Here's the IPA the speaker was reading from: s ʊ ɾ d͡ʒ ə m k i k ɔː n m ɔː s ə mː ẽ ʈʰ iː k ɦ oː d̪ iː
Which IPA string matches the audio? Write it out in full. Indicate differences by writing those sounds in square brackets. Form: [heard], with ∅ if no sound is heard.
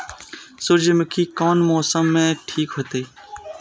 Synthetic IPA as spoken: s ʊ ɾ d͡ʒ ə m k i k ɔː n m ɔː s ə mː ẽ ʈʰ iː k ɦ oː [t̪] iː